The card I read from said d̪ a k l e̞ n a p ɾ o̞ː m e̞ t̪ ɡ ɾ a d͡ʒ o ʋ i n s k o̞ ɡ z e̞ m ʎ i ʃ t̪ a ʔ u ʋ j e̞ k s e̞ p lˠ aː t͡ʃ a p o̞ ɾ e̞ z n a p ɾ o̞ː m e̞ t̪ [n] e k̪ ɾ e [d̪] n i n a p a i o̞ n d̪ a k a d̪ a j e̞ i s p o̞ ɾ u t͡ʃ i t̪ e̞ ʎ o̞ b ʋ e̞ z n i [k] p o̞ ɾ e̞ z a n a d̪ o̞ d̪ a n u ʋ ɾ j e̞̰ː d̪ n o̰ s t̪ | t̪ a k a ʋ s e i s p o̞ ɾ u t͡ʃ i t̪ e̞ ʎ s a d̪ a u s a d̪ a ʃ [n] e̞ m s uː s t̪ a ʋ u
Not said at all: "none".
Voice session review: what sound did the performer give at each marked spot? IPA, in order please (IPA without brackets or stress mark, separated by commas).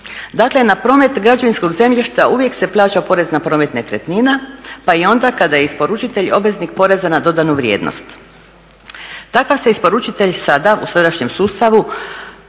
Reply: n, t̪, k, ɲ